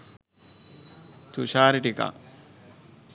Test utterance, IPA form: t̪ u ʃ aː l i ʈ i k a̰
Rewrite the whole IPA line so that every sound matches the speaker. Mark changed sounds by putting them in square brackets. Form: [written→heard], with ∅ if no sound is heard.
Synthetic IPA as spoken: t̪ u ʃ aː [l→ɾ] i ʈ i k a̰